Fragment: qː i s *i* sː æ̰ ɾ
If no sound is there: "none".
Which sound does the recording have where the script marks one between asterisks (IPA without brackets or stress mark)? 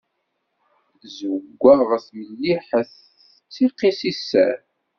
i